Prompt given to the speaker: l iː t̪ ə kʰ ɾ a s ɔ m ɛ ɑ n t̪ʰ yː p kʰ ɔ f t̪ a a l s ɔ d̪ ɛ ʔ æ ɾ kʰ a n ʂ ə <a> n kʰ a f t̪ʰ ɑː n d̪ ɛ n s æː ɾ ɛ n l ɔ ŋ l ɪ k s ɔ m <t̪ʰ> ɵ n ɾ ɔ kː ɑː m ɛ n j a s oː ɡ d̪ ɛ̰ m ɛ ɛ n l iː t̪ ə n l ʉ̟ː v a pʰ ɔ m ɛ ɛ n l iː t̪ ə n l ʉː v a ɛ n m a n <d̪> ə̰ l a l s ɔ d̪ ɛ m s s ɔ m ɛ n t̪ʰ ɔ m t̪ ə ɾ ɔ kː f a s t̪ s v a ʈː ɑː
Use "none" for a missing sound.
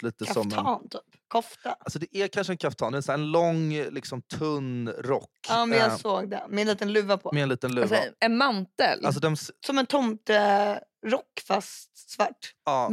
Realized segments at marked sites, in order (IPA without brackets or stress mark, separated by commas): ɛ, t̪ʰ, t̪